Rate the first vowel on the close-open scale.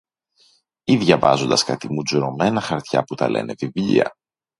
close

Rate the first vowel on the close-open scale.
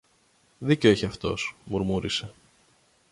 close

